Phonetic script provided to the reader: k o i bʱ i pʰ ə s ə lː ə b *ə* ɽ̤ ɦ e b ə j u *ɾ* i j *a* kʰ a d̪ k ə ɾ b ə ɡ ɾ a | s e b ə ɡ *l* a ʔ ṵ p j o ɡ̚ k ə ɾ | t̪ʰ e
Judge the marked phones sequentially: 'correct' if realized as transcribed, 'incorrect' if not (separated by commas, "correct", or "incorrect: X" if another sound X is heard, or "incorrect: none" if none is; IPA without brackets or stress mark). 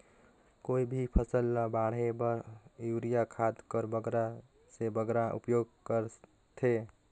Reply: incorrect: a, correct, correct, incorrect: ɾ